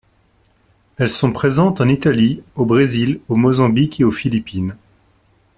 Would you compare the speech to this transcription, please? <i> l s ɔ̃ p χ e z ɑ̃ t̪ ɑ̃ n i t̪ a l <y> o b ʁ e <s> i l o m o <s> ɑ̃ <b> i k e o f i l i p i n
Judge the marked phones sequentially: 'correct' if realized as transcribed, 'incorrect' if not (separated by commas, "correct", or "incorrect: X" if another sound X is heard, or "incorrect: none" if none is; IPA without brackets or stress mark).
incorrect: ɛ, incorrect: i, incorrect: z, incorrect: z, correct